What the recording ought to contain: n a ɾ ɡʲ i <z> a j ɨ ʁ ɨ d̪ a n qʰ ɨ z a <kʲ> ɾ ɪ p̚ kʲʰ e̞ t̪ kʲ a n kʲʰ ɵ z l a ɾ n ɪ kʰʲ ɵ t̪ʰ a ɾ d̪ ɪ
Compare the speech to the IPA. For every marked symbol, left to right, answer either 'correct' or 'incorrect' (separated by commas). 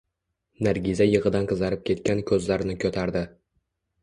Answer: correct, incorrect